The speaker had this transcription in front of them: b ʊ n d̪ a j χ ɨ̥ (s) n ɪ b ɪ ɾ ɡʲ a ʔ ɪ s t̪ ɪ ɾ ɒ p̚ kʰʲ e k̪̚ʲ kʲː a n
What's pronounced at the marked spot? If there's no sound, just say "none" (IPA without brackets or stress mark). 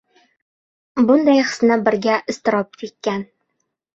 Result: s